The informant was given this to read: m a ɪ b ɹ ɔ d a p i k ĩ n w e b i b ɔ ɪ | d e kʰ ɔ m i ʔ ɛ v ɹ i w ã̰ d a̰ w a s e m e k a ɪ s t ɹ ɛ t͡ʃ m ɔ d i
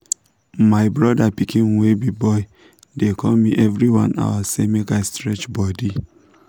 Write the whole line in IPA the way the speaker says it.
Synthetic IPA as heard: m a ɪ b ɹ ɔ d a p i k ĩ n w e b i b ɔ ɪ | d e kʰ ɔ m i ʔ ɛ v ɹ i w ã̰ n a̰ w a s e m e k a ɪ s t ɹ ɛ t͡ʃ b ɔ d i